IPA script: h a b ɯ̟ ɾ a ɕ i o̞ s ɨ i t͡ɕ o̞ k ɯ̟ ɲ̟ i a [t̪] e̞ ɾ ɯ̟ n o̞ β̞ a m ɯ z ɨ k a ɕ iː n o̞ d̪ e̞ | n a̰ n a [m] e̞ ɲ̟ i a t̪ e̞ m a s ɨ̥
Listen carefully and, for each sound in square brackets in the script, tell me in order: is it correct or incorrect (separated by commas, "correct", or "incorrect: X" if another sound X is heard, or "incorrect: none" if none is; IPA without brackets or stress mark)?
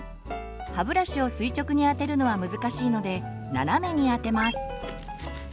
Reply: correct, correct